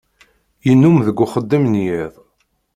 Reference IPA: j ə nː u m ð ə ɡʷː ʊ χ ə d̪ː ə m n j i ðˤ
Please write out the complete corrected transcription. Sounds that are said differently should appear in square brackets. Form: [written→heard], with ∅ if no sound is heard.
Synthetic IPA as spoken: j ə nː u m ð ə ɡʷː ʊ χ ə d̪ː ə m n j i ðˤ